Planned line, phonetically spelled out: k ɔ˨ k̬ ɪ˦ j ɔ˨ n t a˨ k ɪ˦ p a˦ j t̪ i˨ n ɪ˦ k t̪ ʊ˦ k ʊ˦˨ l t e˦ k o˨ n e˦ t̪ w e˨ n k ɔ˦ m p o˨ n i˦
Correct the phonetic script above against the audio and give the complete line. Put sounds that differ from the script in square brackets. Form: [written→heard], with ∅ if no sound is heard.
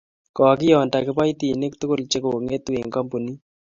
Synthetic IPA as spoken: k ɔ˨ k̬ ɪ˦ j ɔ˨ n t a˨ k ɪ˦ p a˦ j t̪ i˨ n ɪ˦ k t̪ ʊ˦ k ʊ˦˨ l [t→t͡ʃ] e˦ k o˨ [n→ŋ] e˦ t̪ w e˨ [n→ŋ] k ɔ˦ m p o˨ n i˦